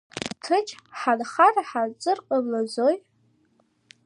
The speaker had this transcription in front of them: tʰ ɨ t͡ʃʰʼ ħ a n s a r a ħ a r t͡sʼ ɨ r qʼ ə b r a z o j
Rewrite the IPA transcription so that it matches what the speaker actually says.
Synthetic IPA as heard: tʰ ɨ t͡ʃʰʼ ħ a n χ a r a ħ a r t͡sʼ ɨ r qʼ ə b l a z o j

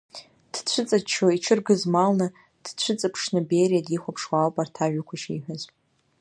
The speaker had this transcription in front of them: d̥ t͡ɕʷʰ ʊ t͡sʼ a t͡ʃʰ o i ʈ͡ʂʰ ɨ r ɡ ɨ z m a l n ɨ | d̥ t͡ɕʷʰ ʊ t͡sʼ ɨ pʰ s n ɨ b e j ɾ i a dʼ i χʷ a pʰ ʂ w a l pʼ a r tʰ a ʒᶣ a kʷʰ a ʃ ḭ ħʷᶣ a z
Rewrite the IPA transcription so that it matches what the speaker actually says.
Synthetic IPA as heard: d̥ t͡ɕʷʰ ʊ t͡sʼ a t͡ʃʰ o i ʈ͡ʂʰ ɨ r ɡ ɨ z m a l n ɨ | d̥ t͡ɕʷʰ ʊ t͡sʼ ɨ pʰ ʂ n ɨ b e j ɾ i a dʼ i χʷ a pʰ ʂ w a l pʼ a r tʰ a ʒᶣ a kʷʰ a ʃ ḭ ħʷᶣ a z

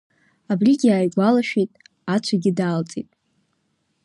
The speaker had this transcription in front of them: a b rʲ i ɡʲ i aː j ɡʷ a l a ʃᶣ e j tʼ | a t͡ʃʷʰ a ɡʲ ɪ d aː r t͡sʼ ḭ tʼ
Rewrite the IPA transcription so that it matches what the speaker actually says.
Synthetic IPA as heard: a b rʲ i ɡʲ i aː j ɡʷ a l a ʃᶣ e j tʼ | a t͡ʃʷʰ a ɡʲ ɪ d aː l t͡sʼ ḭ tʼ

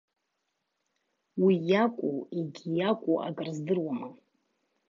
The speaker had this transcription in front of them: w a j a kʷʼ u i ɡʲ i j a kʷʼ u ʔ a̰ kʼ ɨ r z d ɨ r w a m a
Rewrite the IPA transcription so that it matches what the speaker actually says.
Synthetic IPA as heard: w i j a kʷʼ u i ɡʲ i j a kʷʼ u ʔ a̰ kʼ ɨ r z d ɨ r w a m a

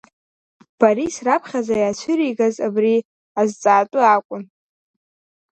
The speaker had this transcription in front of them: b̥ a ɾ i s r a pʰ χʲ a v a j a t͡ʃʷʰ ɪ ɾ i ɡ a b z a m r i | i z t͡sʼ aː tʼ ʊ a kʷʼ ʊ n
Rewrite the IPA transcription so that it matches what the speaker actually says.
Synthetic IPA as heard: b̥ a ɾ i s r a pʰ χʲ a z a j a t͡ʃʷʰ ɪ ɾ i ɡ a z a b r i | a z t͡sʼ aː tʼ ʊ a kʷʼ ʊ n

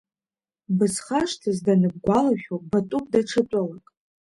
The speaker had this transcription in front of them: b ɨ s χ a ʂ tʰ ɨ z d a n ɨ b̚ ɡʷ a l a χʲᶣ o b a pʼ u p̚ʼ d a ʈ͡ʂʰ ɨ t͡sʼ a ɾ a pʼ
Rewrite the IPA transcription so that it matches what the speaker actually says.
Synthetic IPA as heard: b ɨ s χ a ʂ tʰ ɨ z d a n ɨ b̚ ɡʷ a l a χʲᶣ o b a tʼ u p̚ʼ d a ʈ͡ʂʰ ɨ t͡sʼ a l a kʼ

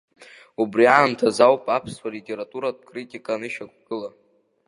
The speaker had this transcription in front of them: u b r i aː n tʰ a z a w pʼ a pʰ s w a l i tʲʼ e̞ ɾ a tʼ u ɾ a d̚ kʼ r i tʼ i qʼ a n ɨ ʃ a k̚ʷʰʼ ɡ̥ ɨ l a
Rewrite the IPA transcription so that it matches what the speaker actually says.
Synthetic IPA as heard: u b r i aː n tʰ a z a w pʼ a pʰ s w a l i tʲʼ e̞ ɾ a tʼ u ɾ a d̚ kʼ r i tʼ i kʼ a n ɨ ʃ a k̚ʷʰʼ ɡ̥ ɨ l a

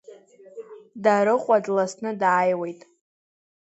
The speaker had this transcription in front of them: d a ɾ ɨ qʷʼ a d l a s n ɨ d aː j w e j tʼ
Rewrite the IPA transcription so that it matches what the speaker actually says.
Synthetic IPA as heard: d a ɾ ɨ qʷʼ a d l a s n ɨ d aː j w e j tʼ

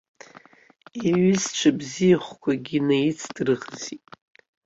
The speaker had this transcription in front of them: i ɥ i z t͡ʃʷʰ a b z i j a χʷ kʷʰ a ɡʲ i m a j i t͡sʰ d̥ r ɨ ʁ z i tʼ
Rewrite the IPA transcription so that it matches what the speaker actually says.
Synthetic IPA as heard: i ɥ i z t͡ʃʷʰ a b z i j a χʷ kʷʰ a ɡʲ i n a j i t͡sʰ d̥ r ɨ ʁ z i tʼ

